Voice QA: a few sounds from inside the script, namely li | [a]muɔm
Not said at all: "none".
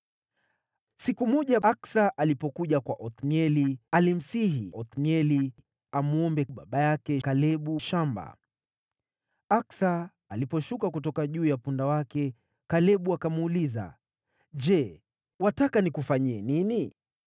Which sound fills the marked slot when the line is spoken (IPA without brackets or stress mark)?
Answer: a